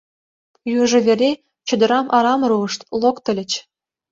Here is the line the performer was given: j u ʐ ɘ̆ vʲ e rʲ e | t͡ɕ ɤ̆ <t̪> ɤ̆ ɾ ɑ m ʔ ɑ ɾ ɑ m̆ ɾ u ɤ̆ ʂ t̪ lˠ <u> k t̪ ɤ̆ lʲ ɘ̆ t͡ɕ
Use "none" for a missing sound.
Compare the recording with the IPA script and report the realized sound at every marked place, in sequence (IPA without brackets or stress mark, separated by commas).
d̪, o